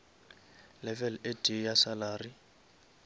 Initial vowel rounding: unrounded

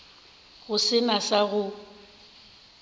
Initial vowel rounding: rounded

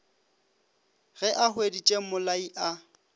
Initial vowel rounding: unrounded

